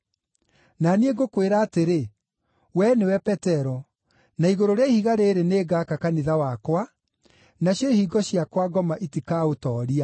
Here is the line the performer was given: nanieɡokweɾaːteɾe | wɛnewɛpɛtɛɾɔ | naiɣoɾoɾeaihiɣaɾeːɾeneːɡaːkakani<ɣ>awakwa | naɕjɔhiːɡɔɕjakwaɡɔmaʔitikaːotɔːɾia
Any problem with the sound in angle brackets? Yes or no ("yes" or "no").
yes